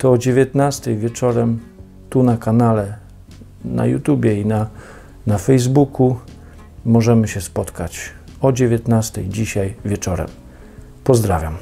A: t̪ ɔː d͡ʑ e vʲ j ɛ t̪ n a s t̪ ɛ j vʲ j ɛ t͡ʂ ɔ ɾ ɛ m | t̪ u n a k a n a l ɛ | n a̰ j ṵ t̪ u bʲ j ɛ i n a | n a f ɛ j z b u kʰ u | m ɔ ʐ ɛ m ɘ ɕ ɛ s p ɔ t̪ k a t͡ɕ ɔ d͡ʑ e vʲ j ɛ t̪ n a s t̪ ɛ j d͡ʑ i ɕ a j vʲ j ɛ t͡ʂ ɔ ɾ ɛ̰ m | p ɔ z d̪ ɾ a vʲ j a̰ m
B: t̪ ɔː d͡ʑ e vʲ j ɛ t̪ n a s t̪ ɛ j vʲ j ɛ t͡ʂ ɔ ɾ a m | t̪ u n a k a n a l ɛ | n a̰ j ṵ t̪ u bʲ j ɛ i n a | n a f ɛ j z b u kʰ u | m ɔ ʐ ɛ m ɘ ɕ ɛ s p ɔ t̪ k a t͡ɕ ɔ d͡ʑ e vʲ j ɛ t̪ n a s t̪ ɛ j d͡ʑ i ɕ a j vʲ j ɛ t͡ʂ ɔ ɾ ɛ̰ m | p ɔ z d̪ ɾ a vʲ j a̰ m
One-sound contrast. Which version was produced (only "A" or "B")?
A